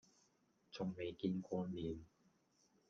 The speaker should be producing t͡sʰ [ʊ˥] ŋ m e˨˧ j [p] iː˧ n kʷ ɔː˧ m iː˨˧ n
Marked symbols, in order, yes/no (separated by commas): no, no